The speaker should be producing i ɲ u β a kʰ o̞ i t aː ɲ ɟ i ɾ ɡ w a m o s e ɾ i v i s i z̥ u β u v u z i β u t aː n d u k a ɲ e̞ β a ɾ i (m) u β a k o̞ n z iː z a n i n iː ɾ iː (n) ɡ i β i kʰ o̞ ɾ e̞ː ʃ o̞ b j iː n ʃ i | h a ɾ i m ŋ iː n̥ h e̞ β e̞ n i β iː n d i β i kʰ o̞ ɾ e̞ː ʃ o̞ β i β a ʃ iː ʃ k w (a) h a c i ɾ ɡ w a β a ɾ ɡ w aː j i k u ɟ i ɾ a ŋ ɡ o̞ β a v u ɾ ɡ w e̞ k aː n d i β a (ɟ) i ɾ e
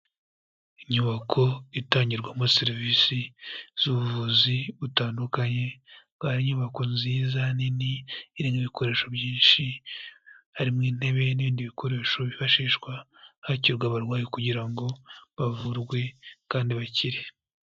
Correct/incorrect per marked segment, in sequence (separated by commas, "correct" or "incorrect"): incorrect, incorrect, correct, incorrect